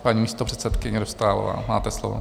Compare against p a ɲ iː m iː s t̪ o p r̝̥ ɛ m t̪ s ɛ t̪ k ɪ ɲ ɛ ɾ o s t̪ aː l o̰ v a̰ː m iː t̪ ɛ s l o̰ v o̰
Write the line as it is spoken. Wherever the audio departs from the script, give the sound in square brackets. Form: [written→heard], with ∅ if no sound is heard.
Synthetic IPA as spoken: p a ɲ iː m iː s t̪ o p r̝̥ ɛ [m→∅] t̪ s ɛ t̪ k ɪ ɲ ɛ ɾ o s t̪ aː l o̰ v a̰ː m [iː→aː] t̪ ɛ s l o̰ v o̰

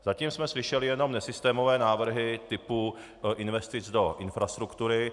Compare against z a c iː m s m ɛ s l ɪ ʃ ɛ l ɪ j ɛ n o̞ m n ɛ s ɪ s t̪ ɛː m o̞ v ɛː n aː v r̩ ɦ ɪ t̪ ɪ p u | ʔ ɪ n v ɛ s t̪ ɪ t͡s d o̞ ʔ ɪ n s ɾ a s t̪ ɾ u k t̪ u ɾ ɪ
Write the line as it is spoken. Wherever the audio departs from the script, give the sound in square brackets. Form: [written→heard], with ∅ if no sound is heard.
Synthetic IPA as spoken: z a c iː m s m ɛ s l ɪ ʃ ɛ l ɪ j ɛ n o̞ m n ɛ s ɪ s t̪ ɛː m o̞ v ɛː n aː v r̩ ɦ ɪ t̪ ɪ p u | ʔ ɪ n v ɛ s t̪ ɪ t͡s d o̞ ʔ ɪ n [s→f] ɾ a s t̪ ɾ u k t̪ u ɾ ɪ

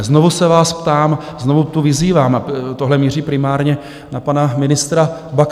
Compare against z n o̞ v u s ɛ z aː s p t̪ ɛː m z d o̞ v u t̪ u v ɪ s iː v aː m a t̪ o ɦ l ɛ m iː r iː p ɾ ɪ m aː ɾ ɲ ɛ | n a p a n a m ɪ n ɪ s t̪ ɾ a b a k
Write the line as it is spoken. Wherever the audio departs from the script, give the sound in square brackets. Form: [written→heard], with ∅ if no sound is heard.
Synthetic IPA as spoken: z n o̞ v u s ɛ [z→v] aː s p t̪ [ɛː→aː] m z [d→n] o̞ v u t̪ u v ɪ [s→z] iː v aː m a t̪ o ɦ l ɛ m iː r iː p ɾ ɪ m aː ɾ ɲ ɛ | n a p a n a m ɪ n ɪ s t̪ ɾ a b a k

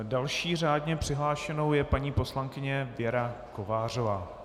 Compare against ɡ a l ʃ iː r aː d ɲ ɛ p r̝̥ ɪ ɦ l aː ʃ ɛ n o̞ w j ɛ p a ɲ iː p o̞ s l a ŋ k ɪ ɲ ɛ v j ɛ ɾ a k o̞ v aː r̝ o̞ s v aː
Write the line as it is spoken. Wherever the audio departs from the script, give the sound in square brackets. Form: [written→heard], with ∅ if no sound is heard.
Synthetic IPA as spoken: [ɡ→d] a l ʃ iː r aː d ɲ ɛ p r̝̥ ɪ ɦ l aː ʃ ɛ n o̞ w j ɛ p a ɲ iː p o̞ s l a ŋ k ɪ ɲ ɛ v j ɛ ɾ a k o̞ v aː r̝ o̞ [s→∅] v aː

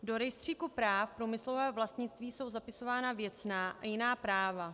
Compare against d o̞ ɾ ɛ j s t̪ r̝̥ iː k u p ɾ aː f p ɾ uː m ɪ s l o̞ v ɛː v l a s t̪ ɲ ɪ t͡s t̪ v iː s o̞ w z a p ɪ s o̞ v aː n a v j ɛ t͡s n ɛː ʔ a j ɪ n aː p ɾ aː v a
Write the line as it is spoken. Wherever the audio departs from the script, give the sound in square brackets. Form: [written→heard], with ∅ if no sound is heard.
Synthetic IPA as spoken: d o̞ ɾ ɛ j s t̪ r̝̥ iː k u p ɾ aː f p ɾ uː m ɪ s l o̞ v ɛː v l a s t̪ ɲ ɪ t͡s t̪ v iː s o̞ w z a p ɪ s o̞ v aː n a v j ɛ t͡s n [ɛː→aː] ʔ a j ɪ n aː p ɾ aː v a

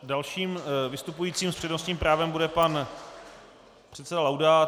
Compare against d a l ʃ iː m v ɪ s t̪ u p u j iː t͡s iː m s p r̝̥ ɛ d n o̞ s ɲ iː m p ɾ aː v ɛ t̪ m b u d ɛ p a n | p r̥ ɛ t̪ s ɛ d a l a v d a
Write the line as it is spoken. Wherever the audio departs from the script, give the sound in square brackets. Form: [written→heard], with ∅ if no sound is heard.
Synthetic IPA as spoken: d a l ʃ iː m v ɪ s t̪ u p u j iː t͡s iː m s p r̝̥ ɛ d n o̞ s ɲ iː m p ɾ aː v ɛ [t̪→∅] m b u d ɛ p a n | p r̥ ɛ t̪ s ɛ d a l a [v→w] d a

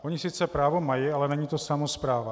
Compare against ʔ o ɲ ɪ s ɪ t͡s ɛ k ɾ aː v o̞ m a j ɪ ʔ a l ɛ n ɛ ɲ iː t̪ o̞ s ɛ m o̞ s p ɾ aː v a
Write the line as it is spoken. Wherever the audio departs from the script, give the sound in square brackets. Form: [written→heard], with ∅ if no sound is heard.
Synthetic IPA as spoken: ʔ o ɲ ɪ s ɪ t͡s ɛ [k→p] ɾ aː v o̞ m a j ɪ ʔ a l ɛ n ɛ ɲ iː t̪ o̞ s [ɛ→a] m o̞ s p ɾ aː v a

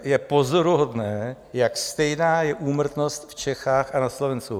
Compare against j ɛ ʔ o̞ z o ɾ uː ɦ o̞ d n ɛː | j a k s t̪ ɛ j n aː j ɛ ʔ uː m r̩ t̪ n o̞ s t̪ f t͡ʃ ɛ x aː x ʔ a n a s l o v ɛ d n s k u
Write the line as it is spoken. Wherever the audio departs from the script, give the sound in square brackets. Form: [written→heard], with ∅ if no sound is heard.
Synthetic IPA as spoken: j ɛ [ʔ→p] o̞ z o ɾ [uː→u] ɦ o̞ d n ɛː | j a k s t̪ ɛ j n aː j ɛ ʔ uː m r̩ t̪ n o̞ s t̪ f t͡ʃ ɛ x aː x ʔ a n a s l o v ɛ [d→∅] n s k u

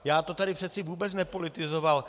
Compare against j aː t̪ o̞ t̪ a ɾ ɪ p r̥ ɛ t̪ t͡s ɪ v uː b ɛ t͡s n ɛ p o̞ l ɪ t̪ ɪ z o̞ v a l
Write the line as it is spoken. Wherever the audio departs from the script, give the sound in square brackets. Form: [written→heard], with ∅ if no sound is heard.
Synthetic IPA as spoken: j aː t̪ o̞ t̪ a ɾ ɪ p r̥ ɛ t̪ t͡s ɪ v uː b ɛ t͡s n ɛ p o̞ l ɪ t̪ ɪ z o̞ v a l

